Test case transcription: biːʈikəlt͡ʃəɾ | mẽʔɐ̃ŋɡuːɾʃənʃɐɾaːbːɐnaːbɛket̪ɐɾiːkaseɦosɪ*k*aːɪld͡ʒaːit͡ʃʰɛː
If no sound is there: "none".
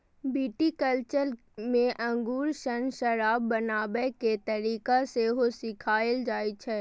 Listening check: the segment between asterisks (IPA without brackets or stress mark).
kʰ